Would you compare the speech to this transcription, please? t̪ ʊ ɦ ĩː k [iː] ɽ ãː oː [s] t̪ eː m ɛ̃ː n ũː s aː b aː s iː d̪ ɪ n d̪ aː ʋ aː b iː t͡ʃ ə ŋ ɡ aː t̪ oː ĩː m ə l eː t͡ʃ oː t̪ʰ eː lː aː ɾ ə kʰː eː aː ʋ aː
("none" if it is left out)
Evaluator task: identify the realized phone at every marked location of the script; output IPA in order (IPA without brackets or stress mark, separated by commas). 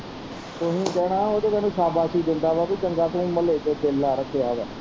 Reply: ɛː, none